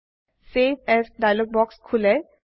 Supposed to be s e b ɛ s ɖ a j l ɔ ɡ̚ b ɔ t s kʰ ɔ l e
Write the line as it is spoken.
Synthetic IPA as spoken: s e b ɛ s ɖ a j l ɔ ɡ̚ b ɔ k s kʰ u l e